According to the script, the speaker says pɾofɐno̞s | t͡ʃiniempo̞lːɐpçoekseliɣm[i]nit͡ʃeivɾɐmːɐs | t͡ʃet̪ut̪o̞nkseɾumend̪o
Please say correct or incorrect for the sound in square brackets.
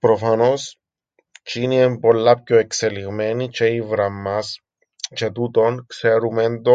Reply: incorrect